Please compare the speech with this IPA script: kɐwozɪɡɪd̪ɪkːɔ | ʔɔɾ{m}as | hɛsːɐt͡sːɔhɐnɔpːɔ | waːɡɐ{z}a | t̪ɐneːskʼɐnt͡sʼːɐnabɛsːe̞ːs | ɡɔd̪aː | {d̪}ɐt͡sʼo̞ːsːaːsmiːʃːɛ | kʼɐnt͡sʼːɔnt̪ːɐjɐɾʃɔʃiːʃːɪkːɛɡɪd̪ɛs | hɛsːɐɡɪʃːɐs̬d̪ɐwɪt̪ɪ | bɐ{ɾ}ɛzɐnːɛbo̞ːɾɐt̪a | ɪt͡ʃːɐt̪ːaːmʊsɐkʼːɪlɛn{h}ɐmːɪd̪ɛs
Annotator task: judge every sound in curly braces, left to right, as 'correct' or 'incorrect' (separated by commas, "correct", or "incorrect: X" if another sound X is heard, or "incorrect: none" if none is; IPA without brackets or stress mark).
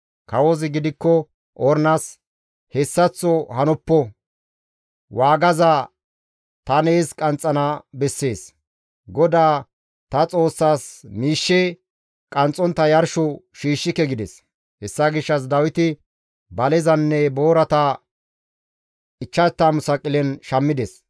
incorrect: n, correct, incorrect: t̪, incorrect: l, incorrect: ʃ